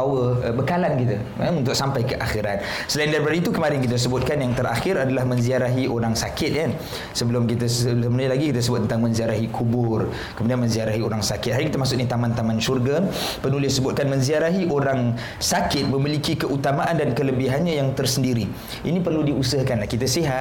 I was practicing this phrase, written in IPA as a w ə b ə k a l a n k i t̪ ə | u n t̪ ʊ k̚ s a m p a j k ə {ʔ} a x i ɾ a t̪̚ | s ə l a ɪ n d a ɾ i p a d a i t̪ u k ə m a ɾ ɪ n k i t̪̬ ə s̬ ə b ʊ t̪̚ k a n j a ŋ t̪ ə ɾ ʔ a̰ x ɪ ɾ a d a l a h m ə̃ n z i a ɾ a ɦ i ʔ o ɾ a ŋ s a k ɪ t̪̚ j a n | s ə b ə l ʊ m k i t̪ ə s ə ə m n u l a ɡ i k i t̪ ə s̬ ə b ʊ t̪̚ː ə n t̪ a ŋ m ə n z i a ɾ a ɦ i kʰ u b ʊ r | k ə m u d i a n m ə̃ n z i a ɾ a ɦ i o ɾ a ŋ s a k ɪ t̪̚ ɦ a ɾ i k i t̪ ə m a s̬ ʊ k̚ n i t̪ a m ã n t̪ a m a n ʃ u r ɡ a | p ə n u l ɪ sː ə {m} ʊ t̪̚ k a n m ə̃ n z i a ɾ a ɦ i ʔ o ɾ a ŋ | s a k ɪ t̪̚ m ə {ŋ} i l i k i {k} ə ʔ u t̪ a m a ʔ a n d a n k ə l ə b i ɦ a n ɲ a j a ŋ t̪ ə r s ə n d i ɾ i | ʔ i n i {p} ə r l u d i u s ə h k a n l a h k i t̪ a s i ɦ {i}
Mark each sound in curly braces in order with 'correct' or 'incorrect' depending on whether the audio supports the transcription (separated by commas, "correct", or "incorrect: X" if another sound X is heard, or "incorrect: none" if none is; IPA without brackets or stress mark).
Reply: correct, incorrect: b, incorrect: m, correct, correct, incorrect: a